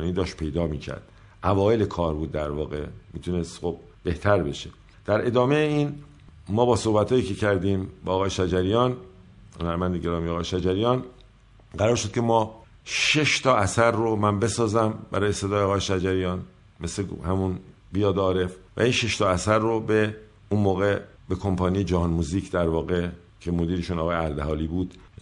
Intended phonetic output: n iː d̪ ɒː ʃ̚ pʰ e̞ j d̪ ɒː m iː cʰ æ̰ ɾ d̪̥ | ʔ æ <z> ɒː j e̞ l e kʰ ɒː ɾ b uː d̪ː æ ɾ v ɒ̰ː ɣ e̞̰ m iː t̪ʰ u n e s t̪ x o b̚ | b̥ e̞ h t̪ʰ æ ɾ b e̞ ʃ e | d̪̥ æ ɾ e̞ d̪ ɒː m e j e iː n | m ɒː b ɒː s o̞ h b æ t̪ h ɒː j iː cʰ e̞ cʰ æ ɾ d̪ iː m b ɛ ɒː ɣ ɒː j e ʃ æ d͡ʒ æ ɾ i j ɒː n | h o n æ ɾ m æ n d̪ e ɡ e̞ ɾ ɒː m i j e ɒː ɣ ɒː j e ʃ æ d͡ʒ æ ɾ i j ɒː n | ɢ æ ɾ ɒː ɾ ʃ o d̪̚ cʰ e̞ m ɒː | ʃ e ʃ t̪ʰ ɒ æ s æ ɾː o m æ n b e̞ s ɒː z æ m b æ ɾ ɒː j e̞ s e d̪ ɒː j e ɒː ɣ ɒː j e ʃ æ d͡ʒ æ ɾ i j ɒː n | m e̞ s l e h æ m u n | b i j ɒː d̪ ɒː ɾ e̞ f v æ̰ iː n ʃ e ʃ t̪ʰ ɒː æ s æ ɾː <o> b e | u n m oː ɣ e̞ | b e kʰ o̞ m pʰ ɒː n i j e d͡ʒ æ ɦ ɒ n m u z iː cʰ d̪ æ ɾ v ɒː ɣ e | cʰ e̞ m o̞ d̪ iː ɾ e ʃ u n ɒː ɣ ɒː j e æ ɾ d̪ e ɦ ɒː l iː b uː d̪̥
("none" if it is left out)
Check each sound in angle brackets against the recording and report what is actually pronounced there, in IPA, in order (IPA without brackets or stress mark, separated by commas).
v, o